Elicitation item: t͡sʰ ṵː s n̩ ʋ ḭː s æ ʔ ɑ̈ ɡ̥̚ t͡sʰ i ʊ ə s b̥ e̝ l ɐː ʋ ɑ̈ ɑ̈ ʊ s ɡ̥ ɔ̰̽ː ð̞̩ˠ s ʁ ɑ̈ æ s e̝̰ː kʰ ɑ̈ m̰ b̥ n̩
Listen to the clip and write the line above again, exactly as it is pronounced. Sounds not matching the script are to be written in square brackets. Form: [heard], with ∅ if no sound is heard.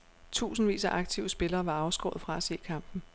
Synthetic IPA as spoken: t͡sʰ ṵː s n̩ ʋ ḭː s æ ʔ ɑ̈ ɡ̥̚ t͡sʰ i ʊ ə s b̥ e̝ l ɐː ʋ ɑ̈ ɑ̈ ʊ s ɡ̥ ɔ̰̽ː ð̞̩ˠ [f] ʁ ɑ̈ æ s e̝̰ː kʰ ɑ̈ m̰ b̥ n̩